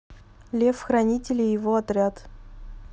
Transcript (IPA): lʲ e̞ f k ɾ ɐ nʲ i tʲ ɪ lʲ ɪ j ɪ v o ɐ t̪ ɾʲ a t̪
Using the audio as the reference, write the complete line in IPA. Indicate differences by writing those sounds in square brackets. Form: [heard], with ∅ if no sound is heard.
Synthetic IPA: lʲ e̞ f [x] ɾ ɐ nʲ i tʲ ɪ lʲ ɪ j ɪ v o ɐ t̪ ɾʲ a t̪